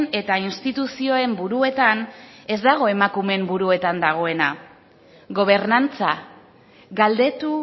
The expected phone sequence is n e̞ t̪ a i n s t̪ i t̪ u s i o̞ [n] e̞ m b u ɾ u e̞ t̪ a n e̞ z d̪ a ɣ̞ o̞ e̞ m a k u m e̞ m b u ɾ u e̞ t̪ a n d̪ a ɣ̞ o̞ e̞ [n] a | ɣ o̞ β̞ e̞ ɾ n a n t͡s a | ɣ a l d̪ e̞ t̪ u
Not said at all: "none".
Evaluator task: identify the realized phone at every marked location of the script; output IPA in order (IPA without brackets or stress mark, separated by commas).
none, n